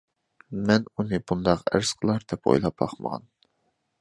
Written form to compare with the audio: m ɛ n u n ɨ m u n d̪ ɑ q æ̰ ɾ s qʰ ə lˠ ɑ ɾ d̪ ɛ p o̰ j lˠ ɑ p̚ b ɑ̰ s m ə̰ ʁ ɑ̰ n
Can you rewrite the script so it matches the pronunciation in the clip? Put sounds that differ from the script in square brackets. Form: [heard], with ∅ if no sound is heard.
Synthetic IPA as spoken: m ɛ n u n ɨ [b] u n d̪ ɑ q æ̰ ɾ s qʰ ə lˠ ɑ ɾ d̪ ɛ p o̰ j lˠ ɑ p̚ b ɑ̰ [χ] m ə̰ ʁ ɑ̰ n